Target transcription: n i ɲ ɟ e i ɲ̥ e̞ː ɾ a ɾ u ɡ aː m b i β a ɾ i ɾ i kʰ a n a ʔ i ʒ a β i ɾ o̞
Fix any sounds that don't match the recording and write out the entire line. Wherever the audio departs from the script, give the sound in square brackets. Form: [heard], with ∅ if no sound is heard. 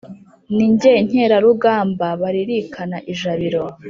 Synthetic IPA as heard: n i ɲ ɟ e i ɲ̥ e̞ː ɾ a ɾ u ɡ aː m b [a] β a ɾ i ɾ i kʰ a n a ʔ i ʒ a β i ɾ o̞